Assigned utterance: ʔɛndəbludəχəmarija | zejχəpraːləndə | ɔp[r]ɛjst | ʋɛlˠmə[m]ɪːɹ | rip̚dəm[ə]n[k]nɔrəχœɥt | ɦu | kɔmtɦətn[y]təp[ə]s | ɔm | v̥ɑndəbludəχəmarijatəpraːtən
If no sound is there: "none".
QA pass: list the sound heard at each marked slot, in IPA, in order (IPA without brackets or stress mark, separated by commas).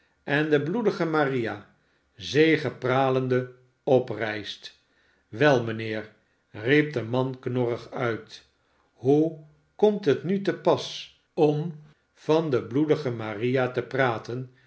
r, n, ɑ, k, y, ɑ